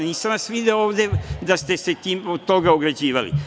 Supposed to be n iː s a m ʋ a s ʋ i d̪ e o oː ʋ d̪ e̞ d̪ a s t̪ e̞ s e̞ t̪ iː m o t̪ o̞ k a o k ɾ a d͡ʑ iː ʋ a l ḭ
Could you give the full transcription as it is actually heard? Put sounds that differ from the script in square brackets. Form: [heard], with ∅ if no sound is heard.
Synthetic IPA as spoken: n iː s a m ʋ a s ʋ i d̪ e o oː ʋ d̪ e̞ d̪ a s t̪ e̞ s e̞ t̪ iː m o t̪ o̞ [ɡ] a o [ɡ] ɾ a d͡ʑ iː ʋ a l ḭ